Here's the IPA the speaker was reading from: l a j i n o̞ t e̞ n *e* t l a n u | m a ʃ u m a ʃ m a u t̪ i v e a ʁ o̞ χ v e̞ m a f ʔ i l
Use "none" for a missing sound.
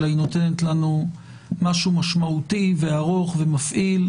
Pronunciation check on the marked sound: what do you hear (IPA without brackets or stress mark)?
e